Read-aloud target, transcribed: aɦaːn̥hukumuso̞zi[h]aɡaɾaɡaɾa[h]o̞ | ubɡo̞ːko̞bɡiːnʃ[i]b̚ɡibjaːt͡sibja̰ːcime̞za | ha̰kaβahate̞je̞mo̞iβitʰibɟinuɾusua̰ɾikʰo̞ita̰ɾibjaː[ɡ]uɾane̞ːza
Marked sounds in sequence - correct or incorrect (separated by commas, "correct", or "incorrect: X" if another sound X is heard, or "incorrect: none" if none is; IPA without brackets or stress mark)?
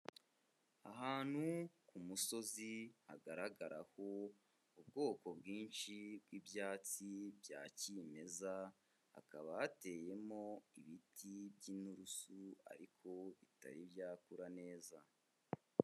correct, correct, correct, incorrect: k